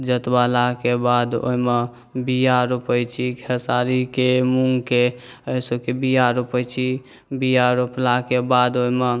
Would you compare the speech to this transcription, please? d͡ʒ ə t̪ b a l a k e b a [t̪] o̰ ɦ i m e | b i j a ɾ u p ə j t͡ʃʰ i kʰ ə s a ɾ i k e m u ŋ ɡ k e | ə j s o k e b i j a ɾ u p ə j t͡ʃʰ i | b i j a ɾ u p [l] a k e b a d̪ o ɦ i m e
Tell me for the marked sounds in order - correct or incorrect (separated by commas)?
incorrect, correct